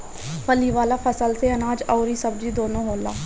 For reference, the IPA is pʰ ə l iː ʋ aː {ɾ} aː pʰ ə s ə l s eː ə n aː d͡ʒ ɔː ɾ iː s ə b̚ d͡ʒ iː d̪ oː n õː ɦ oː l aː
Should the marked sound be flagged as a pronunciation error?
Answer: yes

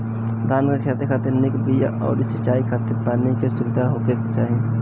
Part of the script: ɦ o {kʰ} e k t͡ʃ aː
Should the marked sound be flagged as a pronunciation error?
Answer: yes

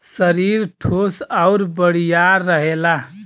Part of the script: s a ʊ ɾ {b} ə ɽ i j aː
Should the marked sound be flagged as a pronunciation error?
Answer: no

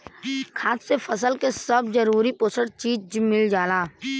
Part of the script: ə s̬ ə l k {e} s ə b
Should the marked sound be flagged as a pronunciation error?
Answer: no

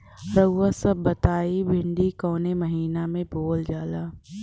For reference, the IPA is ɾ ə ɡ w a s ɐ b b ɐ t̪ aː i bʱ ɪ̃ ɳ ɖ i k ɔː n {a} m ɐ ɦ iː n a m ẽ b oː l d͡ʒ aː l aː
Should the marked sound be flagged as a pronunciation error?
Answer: yes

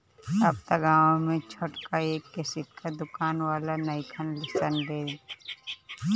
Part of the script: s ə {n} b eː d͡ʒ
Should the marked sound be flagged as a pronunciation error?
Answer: no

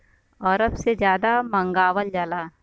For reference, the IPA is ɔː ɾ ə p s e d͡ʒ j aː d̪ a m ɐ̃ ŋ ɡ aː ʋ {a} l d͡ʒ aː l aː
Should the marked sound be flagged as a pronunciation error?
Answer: yes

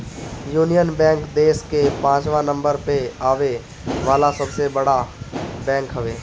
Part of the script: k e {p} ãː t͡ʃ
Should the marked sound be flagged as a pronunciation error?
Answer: no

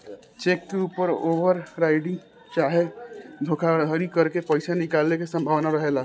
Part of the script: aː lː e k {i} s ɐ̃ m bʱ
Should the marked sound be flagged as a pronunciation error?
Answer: yes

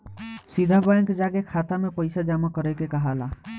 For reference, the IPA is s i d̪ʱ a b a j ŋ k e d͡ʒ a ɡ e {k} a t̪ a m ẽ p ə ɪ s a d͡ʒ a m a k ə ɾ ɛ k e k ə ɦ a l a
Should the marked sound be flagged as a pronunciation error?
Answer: yes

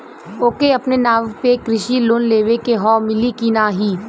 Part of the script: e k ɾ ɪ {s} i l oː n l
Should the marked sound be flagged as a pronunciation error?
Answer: yes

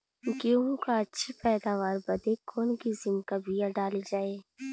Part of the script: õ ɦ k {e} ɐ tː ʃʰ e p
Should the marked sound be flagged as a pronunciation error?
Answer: yes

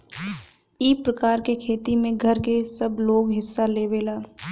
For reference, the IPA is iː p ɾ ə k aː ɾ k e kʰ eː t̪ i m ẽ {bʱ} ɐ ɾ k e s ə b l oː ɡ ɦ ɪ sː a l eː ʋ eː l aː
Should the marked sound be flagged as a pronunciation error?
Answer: yes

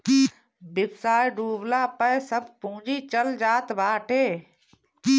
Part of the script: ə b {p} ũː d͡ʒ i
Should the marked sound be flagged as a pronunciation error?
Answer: no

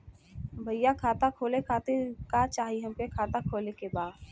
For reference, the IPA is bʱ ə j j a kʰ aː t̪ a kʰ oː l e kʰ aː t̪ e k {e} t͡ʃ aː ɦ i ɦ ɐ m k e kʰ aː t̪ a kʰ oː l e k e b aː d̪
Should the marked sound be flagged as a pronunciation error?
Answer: yes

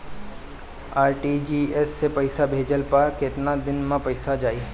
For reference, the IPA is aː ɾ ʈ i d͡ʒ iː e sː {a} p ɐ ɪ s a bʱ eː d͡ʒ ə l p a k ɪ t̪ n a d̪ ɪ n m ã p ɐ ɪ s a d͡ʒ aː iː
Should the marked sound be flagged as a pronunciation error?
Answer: yes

